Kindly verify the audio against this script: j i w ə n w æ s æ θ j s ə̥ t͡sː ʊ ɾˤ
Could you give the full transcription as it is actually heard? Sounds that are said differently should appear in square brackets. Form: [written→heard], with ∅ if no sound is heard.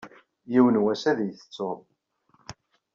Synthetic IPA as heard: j i w ə n w æ s æ [θ→ð] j [s→θ] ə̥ t͡sː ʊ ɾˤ